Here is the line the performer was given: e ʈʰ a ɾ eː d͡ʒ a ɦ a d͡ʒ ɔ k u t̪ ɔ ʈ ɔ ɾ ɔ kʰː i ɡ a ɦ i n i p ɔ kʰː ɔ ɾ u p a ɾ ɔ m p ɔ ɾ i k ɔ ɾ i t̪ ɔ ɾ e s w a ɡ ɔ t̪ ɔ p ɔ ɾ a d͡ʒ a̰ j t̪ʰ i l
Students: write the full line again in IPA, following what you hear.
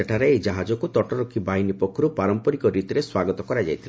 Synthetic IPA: e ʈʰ a ɾ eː d͡ʒ a ɦ a d͡ʒ ɔ k u t̪ ɔ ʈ ɔ ɾ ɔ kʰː i b a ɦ i n i p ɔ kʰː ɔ ɾ u p a ɾ ɔ m p ɔ ɾ i k ɔ ɾ i t̪ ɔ ɾ e s w a ɡ ɔ t̪ ɔ k ɔ ɾ a d͡ʒ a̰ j t̪ʰ i l